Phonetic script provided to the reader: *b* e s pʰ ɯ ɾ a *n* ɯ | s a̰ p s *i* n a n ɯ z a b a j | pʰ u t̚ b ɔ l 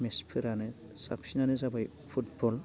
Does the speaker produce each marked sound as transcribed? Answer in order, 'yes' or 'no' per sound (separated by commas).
no, yes, yes